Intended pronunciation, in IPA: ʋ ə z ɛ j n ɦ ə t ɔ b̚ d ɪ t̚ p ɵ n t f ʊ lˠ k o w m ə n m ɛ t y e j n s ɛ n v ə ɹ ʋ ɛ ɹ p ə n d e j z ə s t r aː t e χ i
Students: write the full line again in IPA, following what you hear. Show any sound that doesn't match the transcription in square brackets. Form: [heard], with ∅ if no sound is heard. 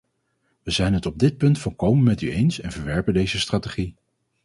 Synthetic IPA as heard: ʋ ə z ɛ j n ɦ ə t ɔ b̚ d ɪ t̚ p ɵ n t f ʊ lˠ k o w m ə n m ɛ t y e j n s ɛ n v ə ɹ ʋ ɛ ɹ p ə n d e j z ə s t r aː t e χ i